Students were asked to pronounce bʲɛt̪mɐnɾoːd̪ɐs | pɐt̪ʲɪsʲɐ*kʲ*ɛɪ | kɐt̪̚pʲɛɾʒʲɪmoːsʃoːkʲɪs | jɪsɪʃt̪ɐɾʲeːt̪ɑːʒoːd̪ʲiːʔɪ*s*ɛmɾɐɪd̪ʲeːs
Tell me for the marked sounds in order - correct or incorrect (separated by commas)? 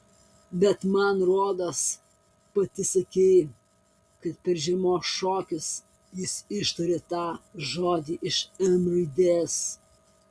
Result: correct, incorrect